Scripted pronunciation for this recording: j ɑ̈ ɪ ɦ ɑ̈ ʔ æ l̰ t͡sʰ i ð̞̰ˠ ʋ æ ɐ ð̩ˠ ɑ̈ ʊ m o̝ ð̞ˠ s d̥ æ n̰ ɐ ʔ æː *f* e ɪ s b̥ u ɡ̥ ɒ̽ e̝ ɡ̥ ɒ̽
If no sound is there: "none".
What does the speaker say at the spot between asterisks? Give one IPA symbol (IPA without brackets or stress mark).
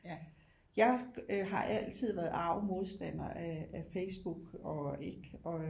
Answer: f